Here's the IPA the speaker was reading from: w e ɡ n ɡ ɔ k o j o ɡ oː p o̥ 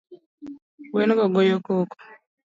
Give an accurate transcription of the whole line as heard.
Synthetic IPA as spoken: w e n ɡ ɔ ɡ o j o k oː k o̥